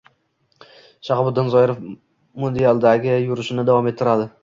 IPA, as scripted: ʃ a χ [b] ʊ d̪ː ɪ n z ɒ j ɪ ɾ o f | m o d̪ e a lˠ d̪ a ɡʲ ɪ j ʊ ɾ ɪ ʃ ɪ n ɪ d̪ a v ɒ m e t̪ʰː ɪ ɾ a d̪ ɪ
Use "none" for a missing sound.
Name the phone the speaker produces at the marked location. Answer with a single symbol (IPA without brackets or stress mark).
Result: b